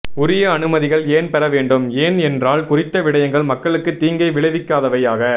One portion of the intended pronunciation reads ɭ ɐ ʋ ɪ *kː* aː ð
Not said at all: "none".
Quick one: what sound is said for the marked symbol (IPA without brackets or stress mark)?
kː